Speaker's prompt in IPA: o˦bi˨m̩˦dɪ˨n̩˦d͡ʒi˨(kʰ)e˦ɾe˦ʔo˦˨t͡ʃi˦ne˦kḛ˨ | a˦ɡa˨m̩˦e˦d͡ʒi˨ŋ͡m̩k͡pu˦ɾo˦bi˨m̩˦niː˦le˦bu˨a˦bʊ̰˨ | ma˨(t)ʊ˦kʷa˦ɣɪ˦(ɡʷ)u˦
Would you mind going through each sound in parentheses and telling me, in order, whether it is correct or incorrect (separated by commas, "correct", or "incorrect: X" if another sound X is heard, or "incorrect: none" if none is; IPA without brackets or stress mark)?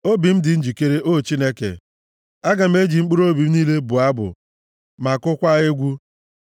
incorrect: k, incorrect: k, correct